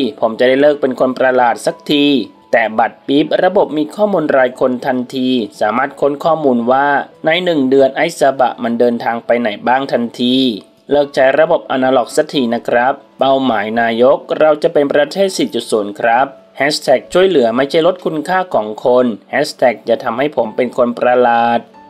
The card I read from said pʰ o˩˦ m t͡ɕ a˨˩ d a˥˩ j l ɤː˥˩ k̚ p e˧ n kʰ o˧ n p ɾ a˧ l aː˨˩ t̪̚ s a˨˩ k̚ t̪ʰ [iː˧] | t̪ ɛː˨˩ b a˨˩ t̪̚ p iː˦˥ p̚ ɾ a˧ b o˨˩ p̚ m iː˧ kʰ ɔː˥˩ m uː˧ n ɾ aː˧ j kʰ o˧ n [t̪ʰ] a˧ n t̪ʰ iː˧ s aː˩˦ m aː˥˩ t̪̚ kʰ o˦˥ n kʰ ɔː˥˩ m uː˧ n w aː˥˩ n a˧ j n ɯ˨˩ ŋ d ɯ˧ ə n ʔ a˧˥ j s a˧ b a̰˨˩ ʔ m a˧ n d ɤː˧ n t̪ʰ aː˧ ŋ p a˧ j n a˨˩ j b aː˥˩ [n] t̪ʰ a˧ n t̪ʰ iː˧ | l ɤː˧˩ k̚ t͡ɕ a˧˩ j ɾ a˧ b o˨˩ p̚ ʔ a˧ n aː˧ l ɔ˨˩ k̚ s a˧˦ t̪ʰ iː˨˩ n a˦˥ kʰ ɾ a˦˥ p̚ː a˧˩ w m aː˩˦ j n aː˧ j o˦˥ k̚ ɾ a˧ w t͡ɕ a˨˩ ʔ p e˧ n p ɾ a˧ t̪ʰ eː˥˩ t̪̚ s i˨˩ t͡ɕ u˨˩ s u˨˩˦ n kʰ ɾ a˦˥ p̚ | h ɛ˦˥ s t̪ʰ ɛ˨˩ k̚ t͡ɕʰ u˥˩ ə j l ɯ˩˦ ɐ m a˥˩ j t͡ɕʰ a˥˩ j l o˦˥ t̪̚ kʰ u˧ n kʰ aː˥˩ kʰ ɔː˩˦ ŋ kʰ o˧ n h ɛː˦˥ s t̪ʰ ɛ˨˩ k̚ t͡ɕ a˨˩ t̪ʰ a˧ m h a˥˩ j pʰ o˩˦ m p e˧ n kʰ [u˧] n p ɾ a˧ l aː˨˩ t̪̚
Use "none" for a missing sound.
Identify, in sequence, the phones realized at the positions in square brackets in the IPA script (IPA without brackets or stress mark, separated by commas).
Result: iː˧, t̪ʰ, ŋ, o˧